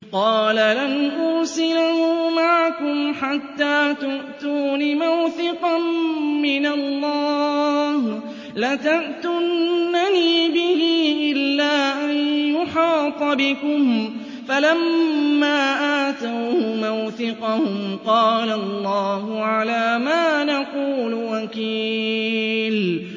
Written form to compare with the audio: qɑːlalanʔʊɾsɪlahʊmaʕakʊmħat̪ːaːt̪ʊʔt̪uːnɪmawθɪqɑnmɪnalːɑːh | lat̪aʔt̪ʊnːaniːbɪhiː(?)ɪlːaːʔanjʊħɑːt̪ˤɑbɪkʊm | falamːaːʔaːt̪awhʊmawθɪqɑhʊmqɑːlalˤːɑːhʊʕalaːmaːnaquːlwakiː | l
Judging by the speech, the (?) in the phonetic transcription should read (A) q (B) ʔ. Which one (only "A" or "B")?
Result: B